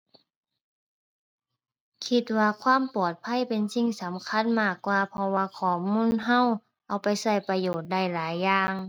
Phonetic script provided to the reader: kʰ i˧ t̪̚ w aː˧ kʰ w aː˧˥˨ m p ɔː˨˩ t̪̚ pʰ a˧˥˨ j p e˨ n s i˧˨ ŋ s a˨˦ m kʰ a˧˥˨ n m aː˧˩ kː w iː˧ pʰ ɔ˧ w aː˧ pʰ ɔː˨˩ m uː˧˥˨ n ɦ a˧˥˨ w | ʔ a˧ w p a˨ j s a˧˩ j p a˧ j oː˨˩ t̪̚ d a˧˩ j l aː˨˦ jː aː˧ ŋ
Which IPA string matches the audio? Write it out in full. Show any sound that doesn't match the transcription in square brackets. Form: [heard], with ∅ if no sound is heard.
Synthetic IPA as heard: kʰ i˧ t̪̚ w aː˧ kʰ w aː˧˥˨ m p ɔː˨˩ t̪̚ pʰ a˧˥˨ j p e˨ n s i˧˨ ŋ s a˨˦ m kʰ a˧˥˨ n m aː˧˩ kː w [aː˧] pʰ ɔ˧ w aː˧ [kʰ] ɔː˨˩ m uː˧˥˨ n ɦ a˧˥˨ w | ʔ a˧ w p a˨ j s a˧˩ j p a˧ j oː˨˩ t̪̚ d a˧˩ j l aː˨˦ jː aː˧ ŋ

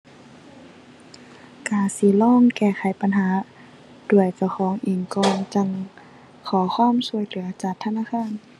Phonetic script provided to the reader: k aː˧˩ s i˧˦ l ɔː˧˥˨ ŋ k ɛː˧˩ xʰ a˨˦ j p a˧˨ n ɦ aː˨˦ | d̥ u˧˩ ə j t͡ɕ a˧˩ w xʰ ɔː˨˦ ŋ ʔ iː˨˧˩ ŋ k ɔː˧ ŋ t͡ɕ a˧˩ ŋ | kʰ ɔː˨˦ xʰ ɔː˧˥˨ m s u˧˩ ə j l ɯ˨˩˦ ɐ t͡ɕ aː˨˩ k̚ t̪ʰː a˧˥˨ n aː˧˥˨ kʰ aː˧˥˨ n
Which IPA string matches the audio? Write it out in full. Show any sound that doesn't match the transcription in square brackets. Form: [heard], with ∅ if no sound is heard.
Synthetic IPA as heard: k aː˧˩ s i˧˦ l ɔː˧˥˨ ŋ k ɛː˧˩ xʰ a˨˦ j p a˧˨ n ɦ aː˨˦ | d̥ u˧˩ ə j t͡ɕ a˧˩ w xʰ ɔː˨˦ ŋ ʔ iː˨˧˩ ŋ k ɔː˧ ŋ t͡ɕ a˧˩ ŋ | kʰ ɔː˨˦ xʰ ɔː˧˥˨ m s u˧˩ ə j l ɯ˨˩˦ ɐ t͡ɕ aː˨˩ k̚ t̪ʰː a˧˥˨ n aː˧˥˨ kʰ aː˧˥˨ n

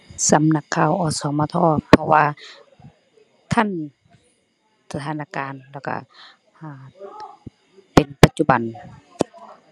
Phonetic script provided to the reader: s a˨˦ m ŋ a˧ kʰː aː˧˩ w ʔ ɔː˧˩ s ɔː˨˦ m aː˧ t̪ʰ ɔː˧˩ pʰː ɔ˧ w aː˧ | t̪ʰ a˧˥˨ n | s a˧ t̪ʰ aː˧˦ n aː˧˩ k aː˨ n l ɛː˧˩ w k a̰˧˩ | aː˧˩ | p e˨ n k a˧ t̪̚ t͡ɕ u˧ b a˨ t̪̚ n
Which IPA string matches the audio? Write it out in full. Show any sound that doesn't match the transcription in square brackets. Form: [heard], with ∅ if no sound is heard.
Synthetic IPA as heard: s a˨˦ m [n] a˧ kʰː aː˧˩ w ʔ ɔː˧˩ s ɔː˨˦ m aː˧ t̪ʰ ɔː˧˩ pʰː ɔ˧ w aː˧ | t̪ʰ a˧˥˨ n | s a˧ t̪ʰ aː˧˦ n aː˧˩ k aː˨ n l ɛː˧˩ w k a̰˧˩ | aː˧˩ | p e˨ n [p] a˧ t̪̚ t͡ɕ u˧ b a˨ [∅] n

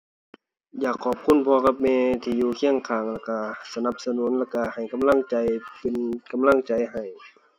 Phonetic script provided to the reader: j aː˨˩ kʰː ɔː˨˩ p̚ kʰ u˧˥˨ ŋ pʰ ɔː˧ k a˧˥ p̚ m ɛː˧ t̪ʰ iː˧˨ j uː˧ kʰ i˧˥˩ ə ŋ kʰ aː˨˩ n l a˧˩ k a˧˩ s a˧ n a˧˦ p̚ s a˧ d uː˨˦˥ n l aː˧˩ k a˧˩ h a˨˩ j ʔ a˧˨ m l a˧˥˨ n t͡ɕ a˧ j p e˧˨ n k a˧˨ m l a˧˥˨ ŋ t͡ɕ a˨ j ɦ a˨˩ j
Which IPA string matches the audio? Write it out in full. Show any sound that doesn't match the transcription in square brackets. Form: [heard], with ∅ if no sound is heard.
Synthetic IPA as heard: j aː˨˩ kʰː ɔː˨˩ p̚ kʰ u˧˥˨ [n] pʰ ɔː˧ k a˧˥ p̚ m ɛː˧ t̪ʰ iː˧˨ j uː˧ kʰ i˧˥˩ ə ŋ kʰ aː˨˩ [ŋ] l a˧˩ k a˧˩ s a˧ n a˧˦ p̚ s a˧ [n] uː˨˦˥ n l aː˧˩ k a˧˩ h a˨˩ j [k] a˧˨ m l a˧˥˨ [ŋ] t͡ɕ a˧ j p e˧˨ n k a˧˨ m l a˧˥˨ ŋ t͡ɕ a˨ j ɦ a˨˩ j

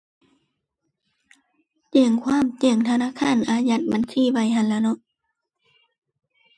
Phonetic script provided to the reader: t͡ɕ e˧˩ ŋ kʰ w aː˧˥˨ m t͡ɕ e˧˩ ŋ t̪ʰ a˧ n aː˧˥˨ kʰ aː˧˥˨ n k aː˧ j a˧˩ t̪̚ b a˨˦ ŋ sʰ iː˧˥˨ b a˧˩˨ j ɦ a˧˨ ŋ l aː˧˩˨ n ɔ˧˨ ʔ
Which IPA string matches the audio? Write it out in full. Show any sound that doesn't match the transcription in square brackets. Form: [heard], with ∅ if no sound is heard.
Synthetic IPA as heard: t͡ɕ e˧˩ ŋ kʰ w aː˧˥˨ m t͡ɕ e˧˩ ŋ t̪ʰ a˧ n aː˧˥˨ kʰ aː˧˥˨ n [ʔ] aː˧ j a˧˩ t̪̚ b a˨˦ [n] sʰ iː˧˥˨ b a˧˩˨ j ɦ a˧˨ [n] l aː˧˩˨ n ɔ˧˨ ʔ

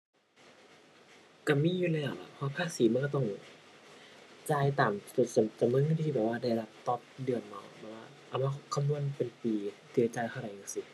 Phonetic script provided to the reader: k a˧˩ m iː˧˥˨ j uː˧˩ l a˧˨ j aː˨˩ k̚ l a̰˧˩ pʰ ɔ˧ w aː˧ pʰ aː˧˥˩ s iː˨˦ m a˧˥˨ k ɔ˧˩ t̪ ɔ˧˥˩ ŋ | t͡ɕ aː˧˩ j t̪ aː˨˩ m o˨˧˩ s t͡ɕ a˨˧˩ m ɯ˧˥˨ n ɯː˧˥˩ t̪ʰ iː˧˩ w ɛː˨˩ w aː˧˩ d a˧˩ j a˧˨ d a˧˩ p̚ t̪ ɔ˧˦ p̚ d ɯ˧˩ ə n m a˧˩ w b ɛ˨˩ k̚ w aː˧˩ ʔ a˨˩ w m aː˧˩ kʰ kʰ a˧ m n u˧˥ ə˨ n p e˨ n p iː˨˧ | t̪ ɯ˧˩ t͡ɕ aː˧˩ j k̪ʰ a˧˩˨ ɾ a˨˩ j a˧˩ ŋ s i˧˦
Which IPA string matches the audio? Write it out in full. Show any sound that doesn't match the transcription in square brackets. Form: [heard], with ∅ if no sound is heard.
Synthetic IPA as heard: k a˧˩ m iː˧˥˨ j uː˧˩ l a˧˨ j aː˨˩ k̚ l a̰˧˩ pʰ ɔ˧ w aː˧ pʰ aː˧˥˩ s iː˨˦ m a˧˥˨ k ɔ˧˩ t̪ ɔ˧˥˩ ŋ | t͡ɕ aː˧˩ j t̪ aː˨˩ m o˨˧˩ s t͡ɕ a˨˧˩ m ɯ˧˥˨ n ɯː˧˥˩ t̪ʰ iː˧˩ [b] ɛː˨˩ w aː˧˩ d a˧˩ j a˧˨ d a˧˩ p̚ t̪ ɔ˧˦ p̚ d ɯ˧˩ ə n m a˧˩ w b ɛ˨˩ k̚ w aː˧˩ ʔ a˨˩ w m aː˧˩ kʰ kʰ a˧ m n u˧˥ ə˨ n p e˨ n p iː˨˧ | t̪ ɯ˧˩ t͡ɕ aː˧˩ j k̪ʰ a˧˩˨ ɾ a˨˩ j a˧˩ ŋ s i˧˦

